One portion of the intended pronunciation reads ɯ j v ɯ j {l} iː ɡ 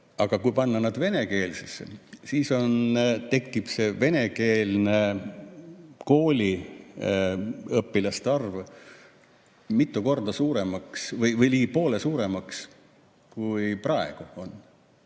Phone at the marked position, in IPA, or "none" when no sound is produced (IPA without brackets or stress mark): l